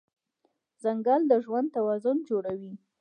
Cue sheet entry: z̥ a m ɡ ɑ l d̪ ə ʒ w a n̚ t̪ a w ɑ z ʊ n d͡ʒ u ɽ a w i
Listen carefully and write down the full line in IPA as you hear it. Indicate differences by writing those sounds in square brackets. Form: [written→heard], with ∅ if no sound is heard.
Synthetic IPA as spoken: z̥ a [m→ŋ] ɡ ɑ l d̪ ə ʒ w a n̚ t̪ a w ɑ z ʊ n d͡ʒ [u→o] ɽ a w i